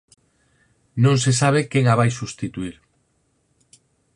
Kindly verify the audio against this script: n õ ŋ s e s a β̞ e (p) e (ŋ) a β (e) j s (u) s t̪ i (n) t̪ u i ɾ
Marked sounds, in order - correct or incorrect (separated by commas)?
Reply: incorrect, correct, incorrect, correct, incorrect